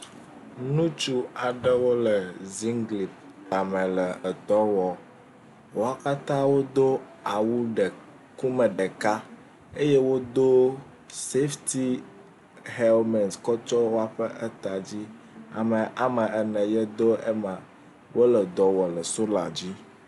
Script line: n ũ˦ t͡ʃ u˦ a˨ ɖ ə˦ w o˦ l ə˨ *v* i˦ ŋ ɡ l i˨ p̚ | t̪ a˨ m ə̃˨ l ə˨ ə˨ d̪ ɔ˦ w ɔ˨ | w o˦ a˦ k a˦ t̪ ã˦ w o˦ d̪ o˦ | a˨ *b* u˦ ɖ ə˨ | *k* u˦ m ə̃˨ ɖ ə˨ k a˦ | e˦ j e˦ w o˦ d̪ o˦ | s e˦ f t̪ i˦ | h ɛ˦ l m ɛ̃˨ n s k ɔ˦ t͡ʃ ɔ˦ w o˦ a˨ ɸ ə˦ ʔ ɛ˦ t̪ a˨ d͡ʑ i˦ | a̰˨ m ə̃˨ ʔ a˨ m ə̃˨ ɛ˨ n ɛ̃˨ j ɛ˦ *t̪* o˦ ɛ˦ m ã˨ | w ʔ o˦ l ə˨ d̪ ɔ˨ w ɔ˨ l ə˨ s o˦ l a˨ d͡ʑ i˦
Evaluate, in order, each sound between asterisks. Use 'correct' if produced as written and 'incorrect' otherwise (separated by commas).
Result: incorrect, incorrect, correct, incorrect